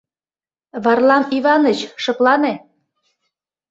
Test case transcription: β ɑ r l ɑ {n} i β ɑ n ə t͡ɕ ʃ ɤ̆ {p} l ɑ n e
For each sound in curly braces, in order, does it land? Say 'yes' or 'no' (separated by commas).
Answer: no, no